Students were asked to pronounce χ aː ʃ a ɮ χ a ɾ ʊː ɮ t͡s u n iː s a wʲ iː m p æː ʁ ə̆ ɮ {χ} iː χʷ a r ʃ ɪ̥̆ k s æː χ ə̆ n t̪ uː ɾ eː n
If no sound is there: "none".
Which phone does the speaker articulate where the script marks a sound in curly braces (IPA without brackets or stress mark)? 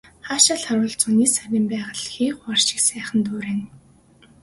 x